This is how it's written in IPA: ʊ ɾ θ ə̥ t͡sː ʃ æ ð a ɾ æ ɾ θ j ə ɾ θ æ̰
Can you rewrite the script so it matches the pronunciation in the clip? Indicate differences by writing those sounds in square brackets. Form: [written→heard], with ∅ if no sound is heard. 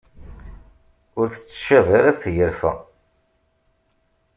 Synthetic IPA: ʊ ɾ θ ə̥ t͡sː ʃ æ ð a ɾ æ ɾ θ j ə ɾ [θ→f] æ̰